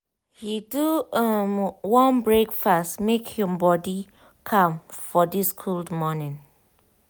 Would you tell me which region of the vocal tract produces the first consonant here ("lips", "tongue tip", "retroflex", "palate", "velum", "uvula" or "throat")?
throat